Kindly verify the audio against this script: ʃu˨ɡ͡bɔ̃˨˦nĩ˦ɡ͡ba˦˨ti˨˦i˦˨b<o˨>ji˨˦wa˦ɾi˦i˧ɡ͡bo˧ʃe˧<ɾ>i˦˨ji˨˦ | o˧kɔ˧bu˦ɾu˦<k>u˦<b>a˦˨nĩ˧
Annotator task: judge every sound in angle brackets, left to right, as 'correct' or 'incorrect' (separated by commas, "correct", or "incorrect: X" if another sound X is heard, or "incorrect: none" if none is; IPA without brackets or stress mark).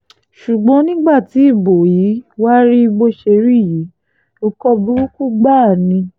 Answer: correct, correct, correct, incorrect: ɡ͡b